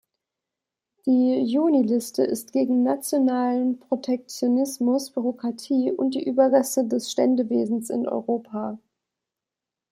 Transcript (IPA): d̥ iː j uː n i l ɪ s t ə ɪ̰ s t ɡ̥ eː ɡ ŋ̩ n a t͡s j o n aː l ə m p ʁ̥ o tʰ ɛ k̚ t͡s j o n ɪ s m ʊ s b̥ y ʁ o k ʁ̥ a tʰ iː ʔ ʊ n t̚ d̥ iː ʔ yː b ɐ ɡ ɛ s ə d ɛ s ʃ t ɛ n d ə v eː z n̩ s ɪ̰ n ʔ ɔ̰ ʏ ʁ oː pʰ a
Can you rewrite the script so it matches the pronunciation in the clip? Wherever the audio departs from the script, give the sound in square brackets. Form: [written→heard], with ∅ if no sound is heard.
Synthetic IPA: d̥ iː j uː n i l ɪ s t ə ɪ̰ s t ɡ̥ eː ɡ ŋ̩ n a t͡s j o n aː l ə [m→n] p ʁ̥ o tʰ ɛ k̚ t͡s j o n ɪ s m ʊ s b̥ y ʁ o k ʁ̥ a tʰ iː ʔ ʊ n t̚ d̥ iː ʔ yː b ɐ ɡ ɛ s ə d ɛ s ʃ t ɛ n d ə v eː z n̩ s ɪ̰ n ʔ ɔ̰ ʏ ʁ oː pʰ a